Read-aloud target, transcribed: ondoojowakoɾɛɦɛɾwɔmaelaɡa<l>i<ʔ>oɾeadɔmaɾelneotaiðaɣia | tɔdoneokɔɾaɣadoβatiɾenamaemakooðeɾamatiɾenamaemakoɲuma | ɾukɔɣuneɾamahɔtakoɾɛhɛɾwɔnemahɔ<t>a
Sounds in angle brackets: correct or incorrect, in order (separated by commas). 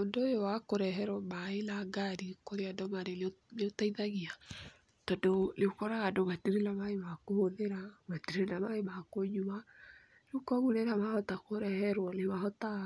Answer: incorrect, incorrect, correct